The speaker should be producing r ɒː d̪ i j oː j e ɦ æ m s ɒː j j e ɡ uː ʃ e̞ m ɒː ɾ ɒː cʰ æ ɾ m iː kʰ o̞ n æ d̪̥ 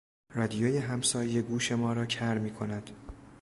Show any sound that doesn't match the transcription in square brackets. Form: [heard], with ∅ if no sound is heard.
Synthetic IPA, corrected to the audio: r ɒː d̪ i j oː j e ɦ æ m s ɒː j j e ɡ uː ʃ e̞ m ɒː ɾ ɒː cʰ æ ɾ m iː kʰ o̞ n æ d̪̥